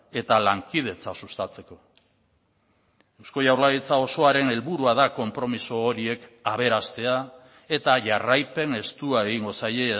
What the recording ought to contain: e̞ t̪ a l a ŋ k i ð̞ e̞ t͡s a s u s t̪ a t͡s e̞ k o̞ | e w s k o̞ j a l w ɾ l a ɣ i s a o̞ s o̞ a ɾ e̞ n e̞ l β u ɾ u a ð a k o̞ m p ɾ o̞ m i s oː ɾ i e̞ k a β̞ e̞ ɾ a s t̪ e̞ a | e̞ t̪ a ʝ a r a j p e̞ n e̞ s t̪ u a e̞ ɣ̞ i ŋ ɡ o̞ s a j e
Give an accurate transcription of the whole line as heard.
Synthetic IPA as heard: e̞ t̪ a l a ŋ k i ð̞ e̞ t͡s a s u s t̪ a t͡s e̞ k o̞ | e w s k o̞ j a w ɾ l a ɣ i t͡s a o̞ s o̞ a ɾ e̞ n e̞ l β u ɾ u a ð a k o̞ m p ɾ o̞ m i s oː ɾ i e̞ k a β̞ e̞ ɾ a s t̪ e̞ a | e̞ t̪ a ʝ a r a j p e̞ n e̞ s t̪ u a e̞ ɣ̞ i ŋ ɡ o̞ s a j e

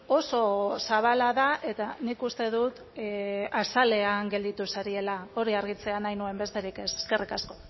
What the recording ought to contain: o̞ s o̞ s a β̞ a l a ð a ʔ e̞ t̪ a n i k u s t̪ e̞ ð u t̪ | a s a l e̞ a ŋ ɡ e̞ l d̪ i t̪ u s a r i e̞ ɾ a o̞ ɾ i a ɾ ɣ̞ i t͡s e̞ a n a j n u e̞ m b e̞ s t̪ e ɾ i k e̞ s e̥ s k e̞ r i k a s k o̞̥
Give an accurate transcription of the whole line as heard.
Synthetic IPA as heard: o̞ s o̞ s a β̞ a l a ð a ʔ e̞ t̪ a n i k u s t̪ e̞ ð u t̪ | a s a l e̞ a ŋ ɡ e̞ l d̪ i t̪ u s a ɾ i e̞ l a o̞ ɾ i a ɾ ɣ̞ i t͡s e̞ a n a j n u e̞ m b e̞ s t̪ e ɾ i k e̞ s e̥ s k e̞ r i k a s k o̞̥

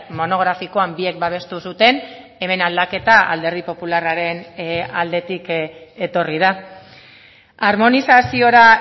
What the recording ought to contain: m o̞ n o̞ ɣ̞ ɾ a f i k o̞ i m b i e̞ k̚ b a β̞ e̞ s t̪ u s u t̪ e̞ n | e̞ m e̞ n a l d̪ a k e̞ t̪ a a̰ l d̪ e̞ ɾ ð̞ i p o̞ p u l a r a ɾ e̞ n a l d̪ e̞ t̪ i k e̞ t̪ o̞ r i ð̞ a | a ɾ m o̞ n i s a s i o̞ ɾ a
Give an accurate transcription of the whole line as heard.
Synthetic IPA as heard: m o̞ n o̞ ɣ̞ ɾ a f i k o̞ a m b i e̞ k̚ b a β̞ e̞ s t̪ u s u t̪ e̞ n | e̞ m e̞ n a l d̪ a k e̞ t̪ a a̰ l d̪ e̞ ɾ ð̞ i p o̞ p u l a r a ɾ e̞ n a l d̪ e̞ t̪ i k e̞ t̪ o̞ r i ð̞ a | a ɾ m o̞ n i s a s i o̞ ɾ a

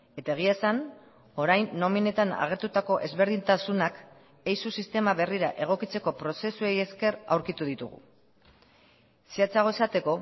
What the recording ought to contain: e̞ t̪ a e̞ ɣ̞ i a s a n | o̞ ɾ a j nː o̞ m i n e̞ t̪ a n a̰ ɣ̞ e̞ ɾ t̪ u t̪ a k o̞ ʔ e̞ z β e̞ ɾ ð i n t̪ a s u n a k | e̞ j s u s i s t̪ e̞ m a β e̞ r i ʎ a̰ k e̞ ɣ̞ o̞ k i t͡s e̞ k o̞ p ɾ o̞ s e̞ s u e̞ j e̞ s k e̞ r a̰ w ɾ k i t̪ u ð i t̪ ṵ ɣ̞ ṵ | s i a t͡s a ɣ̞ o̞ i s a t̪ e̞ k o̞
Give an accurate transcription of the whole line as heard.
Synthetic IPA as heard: e̞ t̪ a e̞ ɣ̞ i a s a n | o̞ ɾ a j nː o̞ m i n e̞ t̪ a n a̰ ɣ̞ e̞ ɾ t̪ u t̪ a k o̞ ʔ e̞ z β e̞ ɾ ð i n t̪ a s u n a k | e̞ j s u s i s t̪ e̞ m a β e̞ r i ɾ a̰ ʔ e̞ ɣ̞ o̞ k i t͡s e̞ k o̞ p ɾ o̞ s e̞ s u e̞ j e̞ s k e̞ r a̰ w ɾ k i t̪ u ð i t̪ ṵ ɣ̞ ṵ | s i a t͡s a ɣ̞ o̞ e s a t̪ e̞ k o̞

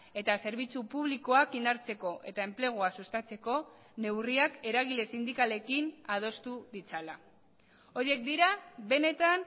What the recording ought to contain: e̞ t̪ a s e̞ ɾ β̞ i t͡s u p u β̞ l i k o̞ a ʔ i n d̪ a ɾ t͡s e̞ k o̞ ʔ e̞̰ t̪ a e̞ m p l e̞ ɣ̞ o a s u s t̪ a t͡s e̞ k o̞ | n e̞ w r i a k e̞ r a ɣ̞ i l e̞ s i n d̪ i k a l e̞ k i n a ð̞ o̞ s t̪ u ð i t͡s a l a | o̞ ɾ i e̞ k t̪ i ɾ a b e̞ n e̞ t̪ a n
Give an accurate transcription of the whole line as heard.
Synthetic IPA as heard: e̞ t̪ a s e̞ ɾ β̞ i t͡s u p u β̞ l i k o̞ a k i n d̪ a ɾ t͡s e̞ k o̞ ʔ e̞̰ t̪ a e̞ m p l e̞ ɣ̞ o a s u s t̪ a t͡s e̞ k o̞ | n e̞ w r i a k e̞ ɾ a ɣ̞ i l e̞ s i n d̪ i k a l e̞ k i n a ð̞ o̞ s t̪ u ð i t͡s a l a | o̞ ɾ i e̞ k d̪ i ɾ a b e̞ n e̞ t̪ a n

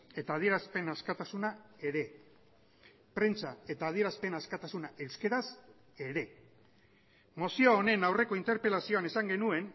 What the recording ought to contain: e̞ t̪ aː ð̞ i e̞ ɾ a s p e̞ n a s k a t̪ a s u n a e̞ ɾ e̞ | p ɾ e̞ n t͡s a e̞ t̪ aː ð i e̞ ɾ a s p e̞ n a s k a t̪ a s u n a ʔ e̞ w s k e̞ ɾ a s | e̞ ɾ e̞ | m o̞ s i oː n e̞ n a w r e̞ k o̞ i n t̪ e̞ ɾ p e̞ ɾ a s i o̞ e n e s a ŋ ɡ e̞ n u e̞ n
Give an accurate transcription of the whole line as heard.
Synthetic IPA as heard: e̞ t̪ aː ð̞ i e̞ ɾ a s p e̞ n a s k a t̪ a s u n a e̞ ɾ e̞ | p ɾ e̞ n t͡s a e̞ t̪ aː ð i e̞ ɾ a s p e̞ n a s k a t̪ a s u n a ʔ e̞ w s k e̞ ɾ a s | e̞ ɾ e̞ | m o̞ s i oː n e̞ n a w r e̞ k o̞ i n t̪ e̞ ɾ p e̞ l a s i o̞ a n e s a ŋ ɡ e̞ n u e̞ n

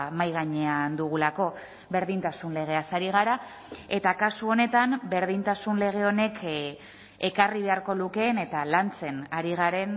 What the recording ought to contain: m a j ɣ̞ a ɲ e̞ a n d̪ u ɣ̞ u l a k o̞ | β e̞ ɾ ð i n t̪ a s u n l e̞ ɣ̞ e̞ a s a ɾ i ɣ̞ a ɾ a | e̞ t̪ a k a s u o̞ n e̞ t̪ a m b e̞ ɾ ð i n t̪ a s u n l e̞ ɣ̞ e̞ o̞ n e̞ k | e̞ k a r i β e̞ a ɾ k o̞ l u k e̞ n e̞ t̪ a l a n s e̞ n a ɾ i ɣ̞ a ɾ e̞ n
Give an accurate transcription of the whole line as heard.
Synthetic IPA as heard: m a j ɣ̞ a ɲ e̞ a n d̪ u ɣ̞ u l a k o̞ | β e̞ ɾ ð i n t̪ a s u n l e̞ ɣ̞ e̞ a s a ɾ i ɣ̞ a ɾ a | e̞ t̪ a k a s u o̞ n e̞ t̪ a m b e̞ ɾ ð i n t̪ a s u n l e̞ ɣ̞ e̞ o̞ n e̞ k | e̞ k a r i β e̞ a ɾ k o̞ l u k e̞ n e̞ t̪ a l a n t͡s e̞ n a ɾ i ɣ̞ a ɾ e̞ n

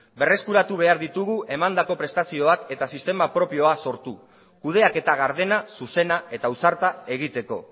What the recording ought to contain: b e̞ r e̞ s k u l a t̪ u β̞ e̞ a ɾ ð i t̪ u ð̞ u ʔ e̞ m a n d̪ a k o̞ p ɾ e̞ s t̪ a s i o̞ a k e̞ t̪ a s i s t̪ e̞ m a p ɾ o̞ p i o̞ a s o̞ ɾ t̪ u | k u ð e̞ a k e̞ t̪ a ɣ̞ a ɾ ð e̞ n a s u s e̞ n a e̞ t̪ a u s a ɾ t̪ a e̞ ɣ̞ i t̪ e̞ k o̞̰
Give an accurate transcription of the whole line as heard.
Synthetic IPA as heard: b e̞ r e̞ s k u ɾ a t̪ u β̞ e̞ a ɾ ð i t̪ u ɣ̞ u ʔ e̞ m a n d̪ a k o̞ p ɾ e̞ s t̪ a s i o̞ a k e̞ t̪ a s i s t̪ e̞ m a p ɾ o̞ p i o̞ a s o̞ ɾ t̪ u | k u ð e̞ a k e̞ t̪ a ɣ̞ a ɾ ð e̞ n a s u s e̞ n a e̞ t̪ a u s a ɾ t̪ a e̞ ɣ̞ i t̪ e̞ k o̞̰

